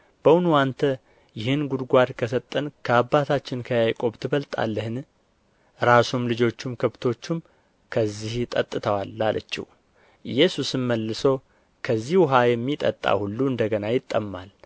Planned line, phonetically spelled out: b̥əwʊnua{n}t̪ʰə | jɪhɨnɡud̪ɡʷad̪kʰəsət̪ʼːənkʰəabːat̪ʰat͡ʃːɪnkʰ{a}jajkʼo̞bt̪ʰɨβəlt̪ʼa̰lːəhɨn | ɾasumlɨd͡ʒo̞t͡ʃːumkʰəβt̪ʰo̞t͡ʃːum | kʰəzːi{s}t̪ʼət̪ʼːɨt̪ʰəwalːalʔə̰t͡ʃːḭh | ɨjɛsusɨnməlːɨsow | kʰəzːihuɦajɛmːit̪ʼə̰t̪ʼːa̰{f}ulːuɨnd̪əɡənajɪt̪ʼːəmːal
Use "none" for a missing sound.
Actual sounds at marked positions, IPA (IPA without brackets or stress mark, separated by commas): n, ə, h, h